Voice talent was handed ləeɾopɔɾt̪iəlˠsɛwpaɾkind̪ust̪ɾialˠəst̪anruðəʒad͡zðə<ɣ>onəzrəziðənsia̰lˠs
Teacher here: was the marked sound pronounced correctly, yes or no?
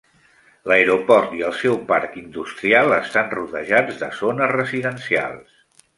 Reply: no